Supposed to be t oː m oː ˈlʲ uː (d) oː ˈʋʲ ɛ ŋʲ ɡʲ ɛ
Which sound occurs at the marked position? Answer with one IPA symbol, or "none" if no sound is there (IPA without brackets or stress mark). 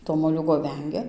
ɡ